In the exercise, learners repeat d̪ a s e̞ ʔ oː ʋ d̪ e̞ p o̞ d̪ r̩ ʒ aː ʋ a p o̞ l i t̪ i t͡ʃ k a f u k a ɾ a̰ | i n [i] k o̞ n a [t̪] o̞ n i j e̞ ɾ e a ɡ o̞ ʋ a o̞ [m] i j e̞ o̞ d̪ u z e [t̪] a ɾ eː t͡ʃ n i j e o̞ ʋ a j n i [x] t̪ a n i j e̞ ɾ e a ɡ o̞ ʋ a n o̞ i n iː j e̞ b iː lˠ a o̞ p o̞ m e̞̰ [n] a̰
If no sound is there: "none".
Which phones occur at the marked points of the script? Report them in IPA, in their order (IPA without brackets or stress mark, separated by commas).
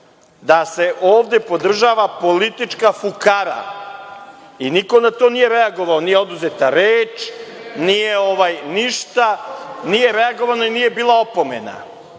i, t̪, n, t̪, ʃ, n